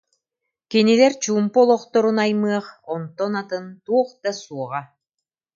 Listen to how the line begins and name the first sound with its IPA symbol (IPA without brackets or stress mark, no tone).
k